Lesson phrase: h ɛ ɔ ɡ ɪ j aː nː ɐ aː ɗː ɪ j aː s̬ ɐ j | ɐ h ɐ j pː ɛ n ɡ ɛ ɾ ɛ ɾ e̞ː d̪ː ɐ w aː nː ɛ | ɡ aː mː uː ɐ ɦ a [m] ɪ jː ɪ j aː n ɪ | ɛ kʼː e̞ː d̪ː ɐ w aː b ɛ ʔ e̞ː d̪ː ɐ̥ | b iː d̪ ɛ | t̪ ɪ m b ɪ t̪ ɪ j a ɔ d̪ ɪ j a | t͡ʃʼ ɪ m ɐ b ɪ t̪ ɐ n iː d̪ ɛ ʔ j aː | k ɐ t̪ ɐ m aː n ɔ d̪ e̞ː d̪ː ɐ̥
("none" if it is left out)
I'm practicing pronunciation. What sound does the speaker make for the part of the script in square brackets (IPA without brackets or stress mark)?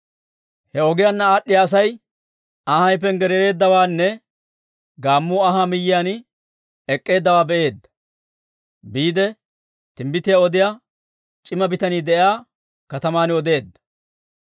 m